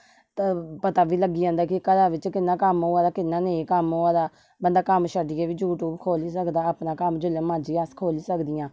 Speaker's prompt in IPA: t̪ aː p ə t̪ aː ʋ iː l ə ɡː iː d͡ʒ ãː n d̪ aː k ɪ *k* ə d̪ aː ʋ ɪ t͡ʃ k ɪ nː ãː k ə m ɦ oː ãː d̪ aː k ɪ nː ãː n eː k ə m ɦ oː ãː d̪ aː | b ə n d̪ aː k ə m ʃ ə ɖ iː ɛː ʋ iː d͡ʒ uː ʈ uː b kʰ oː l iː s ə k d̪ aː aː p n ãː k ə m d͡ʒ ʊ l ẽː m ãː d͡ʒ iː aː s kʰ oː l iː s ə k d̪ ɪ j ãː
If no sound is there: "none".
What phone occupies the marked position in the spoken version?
k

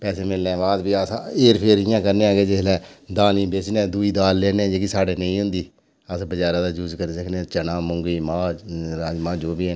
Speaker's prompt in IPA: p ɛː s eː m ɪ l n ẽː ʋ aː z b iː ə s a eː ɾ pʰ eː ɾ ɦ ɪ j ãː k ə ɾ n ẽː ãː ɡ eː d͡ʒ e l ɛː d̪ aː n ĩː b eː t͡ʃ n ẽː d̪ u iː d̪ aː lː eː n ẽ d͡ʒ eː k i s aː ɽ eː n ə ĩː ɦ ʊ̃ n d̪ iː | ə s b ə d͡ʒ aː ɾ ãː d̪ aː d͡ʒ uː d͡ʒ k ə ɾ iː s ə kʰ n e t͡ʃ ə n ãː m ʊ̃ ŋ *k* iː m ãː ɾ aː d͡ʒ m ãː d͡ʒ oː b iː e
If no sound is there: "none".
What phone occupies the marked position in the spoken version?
ɡ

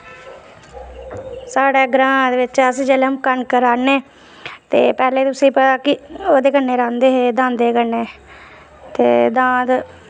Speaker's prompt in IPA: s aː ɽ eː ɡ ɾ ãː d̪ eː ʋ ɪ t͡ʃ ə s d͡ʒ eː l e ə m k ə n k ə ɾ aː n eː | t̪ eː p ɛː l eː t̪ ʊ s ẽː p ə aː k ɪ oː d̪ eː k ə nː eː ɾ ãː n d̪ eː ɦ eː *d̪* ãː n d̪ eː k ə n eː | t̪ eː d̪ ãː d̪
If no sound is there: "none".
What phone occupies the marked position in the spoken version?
d̪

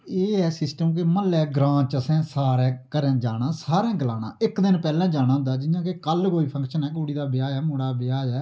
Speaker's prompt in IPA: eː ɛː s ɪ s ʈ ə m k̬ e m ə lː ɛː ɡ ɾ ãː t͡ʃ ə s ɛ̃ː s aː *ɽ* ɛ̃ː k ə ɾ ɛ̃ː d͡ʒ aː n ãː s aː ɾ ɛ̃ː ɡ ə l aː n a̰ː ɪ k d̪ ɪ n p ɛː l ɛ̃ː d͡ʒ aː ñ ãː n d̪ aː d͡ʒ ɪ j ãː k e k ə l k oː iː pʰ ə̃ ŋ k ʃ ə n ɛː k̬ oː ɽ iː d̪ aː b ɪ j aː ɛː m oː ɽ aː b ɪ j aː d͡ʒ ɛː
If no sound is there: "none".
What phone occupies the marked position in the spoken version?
ɾ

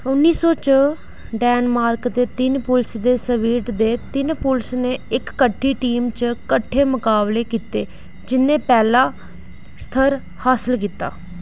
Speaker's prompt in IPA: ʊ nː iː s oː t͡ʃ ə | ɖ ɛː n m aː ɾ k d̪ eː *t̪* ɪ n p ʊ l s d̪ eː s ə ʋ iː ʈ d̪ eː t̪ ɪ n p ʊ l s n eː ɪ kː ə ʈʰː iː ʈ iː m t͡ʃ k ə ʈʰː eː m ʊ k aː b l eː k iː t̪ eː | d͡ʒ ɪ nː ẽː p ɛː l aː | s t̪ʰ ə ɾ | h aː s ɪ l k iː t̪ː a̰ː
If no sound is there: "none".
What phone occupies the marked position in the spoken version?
t̪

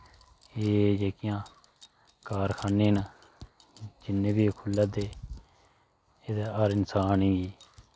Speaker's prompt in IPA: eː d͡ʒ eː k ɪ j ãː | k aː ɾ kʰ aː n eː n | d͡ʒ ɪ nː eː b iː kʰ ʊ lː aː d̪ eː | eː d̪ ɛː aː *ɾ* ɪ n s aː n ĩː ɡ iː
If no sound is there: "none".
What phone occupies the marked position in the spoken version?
ɾ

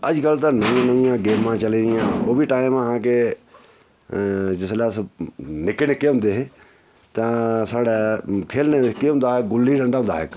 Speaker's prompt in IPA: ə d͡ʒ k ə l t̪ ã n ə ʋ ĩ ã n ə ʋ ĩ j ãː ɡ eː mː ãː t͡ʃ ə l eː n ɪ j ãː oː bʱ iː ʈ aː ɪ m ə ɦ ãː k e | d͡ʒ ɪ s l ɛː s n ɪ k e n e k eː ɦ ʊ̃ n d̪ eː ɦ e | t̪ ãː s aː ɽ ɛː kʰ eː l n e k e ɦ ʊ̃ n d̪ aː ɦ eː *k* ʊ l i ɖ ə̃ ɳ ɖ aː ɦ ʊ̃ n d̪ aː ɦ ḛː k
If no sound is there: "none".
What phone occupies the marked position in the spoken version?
ɡ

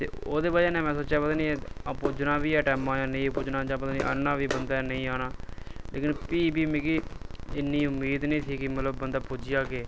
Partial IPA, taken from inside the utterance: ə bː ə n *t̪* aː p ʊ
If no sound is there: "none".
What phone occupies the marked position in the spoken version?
d̪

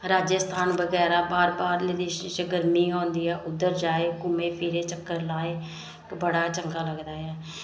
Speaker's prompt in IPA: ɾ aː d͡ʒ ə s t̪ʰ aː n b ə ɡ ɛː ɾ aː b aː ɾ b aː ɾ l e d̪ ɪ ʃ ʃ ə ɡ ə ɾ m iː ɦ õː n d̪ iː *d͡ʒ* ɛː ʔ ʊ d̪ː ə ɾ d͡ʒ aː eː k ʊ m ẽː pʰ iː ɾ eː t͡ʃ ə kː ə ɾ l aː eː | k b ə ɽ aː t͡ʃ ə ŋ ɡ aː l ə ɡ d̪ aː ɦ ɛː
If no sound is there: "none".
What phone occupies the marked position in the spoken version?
none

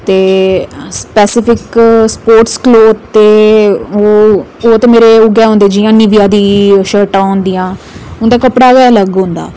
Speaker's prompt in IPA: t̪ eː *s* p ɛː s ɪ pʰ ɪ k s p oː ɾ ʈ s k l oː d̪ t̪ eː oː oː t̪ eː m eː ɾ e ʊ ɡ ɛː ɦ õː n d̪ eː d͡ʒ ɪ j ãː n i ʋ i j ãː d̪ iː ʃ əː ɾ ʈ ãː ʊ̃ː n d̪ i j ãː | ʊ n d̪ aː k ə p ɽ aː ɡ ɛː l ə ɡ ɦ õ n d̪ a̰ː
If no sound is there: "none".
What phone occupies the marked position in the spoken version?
s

